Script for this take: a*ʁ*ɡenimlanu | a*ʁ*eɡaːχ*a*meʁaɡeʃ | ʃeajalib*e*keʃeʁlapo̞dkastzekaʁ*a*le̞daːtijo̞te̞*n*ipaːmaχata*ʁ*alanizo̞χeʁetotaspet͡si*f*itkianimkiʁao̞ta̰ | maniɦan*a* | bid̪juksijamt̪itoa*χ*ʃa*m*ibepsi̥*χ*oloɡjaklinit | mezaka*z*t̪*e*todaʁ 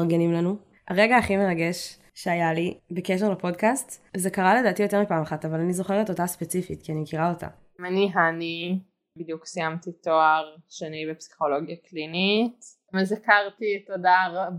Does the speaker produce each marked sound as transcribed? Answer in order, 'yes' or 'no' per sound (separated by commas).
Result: yes, yes, no, yes, yes, no, no, yes, no, no, no, yes, no, no